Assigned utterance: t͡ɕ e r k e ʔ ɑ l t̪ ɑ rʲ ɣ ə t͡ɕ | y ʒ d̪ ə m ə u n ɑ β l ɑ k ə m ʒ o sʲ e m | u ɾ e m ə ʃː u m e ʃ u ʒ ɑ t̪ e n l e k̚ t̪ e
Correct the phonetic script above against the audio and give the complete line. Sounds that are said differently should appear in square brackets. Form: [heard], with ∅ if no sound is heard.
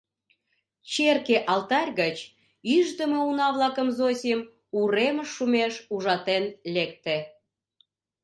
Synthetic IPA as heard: t͡ɕ e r k e ʔ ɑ l t̪ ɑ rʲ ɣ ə t͡ɕ | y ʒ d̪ ə m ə u n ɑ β l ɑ k ə m [z] o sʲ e m | u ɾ e m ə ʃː u m e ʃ u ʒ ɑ t̪ e n l e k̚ t̪ e

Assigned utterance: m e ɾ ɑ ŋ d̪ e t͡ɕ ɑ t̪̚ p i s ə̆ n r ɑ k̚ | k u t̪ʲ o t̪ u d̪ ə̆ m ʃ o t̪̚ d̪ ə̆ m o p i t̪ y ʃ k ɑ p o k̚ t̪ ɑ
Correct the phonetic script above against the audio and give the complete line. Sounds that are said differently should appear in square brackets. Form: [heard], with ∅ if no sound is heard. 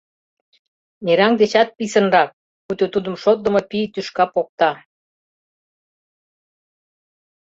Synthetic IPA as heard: [n] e ɾ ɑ ŋ d̪ e t͡ɕ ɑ t̪̚ p i s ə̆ n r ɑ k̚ | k u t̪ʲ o t̪ u d̪ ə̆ m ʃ o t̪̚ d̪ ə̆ m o p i t̪ y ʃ k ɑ p o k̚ t̪ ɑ

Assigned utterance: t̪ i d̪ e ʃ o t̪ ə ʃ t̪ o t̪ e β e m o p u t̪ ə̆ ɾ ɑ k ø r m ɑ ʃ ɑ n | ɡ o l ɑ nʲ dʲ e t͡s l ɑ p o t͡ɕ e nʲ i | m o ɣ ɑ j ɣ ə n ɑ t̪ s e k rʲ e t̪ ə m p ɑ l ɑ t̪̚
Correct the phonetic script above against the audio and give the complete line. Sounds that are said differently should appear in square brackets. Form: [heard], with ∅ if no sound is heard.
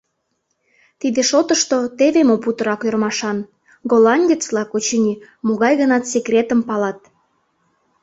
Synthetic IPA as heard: t̪ i d̪ e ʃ o t̪ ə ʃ t̪ o t̪ e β e m o p u t̪ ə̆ ɾ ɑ k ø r m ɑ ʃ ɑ n | ɡ o l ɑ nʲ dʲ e t͡s l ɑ [k] o t͡ɕ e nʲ i | m o ɣ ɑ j ɣ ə n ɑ t̪ s e k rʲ e t̪ ə m p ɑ l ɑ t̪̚

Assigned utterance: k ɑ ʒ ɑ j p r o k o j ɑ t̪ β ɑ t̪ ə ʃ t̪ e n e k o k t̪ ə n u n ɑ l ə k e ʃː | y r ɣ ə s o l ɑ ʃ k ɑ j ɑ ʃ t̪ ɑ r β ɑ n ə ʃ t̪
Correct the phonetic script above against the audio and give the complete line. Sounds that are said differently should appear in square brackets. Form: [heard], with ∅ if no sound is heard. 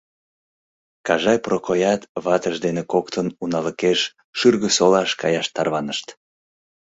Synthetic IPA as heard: k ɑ ʒ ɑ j p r o k o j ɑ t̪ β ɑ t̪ ə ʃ [d̪] e n e k o k t̪ ə n u n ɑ l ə k e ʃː | y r ɣ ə s o l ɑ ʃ k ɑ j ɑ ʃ t̪ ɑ r β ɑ n ə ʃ t̪

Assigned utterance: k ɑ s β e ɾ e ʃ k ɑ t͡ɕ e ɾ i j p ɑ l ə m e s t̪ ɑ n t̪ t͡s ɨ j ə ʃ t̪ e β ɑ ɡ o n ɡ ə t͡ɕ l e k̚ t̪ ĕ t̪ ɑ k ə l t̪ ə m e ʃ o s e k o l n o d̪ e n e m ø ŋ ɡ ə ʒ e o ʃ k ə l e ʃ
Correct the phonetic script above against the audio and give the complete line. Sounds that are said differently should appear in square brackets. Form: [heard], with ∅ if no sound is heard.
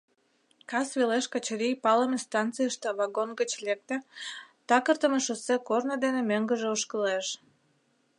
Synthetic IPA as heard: k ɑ s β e [l] e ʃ k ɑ t͡ɕ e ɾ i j p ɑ l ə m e s t̪ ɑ n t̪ t͡s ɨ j ə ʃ t̪ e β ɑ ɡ o n ɡ ə t͡ɕ l e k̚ t̪ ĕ t̪ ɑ k ə [r] t̪ ə m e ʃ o s e k o [r] n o d̪ e n e m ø ŋ ɡ ə ʒ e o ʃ k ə l e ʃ

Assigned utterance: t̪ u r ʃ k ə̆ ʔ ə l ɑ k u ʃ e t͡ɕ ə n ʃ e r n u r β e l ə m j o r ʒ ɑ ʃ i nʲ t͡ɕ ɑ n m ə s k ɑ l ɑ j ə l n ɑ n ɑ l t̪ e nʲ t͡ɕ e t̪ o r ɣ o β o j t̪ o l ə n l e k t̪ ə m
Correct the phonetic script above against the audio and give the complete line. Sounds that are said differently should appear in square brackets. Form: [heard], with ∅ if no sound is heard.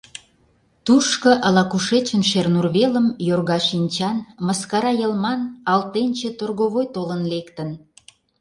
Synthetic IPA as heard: t̪ u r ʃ k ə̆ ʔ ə l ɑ k u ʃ e t͡ɕ ə n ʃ e r n u r β e l ə m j o r [ɣ] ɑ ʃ i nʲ t͡ɕ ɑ n m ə s k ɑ [ɾ] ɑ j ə l [m] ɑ n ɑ l t̪ e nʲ t͡ɕ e t̪ o r ɣ o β o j t̪ o l ə n l e k t̪ ə [n]

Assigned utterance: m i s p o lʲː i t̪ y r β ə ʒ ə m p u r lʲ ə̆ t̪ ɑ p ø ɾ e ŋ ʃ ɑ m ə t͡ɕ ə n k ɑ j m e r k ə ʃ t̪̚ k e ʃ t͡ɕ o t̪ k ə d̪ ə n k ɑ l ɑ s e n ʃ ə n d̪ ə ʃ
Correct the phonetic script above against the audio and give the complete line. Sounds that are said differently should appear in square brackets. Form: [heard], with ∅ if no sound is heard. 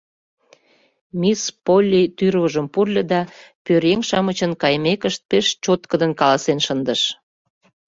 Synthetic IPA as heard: m i s p o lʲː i t̪ y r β ə ʒ ə m p u r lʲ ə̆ [d̪] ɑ p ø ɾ e ŋ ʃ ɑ m ə t͡ɕ ə n k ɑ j m e [∅] k ə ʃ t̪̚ [p] e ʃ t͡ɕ o t̪ k ə d̪ ə n k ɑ l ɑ s e n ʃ ə n d̪ ə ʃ

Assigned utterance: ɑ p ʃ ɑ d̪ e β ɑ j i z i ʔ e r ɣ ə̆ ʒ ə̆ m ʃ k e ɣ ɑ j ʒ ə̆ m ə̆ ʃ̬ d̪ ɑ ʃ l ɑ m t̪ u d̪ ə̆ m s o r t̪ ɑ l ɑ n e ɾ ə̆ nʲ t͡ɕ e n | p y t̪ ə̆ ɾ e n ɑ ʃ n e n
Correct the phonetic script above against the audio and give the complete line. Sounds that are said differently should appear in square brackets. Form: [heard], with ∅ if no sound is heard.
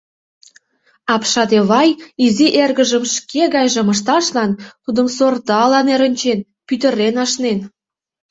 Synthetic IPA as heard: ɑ p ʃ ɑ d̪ e β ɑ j i z i ʔ e r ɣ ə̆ ʒ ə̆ m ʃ k e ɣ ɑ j ʒ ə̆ m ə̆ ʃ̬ [t̪] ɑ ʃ l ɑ [n] t̪ u d̪ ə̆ m s o r t̪ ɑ l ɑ n e ɾ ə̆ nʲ t͡ɕ e n | p y t̪ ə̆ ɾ e n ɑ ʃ n e n

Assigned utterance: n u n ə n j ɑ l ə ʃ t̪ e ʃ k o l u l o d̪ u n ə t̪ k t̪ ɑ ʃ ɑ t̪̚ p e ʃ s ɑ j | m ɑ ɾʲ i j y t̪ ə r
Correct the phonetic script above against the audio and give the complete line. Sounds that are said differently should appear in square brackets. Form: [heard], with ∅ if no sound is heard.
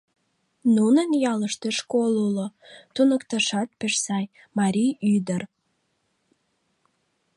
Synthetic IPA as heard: n u n ə n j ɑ l ə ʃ t̪ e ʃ k o l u l o [t̪] u n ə [∅] k t̪ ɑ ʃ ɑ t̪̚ p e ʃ s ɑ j | m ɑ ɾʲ i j y [d̪] ə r

